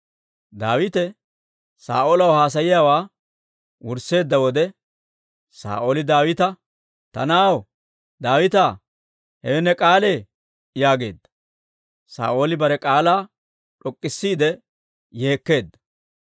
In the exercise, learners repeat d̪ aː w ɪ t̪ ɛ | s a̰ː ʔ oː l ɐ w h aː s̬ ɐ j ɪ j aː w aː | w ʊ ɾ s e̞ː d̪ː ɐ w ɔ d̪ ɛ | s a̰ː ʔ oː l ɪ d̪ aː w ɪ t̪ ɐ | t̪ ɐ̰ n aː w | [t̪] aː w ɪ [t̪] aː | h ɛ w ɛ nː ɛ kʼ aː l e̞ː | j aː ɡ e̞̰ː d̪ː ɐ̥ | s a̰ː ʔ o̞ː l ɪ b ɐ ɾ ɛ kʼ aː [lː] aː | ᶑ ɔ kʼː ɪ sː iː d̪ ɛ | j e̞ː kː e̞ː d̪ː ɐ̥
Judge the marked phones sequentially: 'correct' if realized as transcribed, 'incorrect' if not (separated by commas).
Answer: incorrect, correct, incorrect